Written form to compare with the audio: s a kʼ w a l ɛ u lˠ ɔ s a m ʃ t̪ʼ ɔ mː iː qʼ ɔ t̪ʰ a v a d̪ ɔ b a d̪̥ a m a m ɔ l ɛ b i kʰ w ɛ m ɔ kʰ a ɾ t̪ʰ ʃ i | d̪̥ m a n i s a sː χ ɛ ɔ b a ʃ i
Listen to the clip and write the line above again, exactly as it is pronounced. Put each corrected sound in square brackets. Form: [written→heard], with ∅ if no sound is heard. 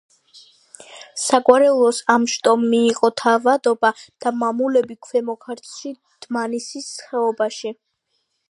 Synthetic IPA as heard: s a kʼ w a [l→ɾ] ɛ u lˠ ɔ s a m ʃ t̪ʼ ɔ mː iː qʼ ɔ t̪ʰ a v a d̪ ɔ b a d̪̥ a m a m [ɔ→u] l ɛ b i kʰ w ɛ m ɔ kʰ a ɾ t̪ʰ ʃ i | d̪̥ m a n i s [a→i] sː χ ɛ ɔ b a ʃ i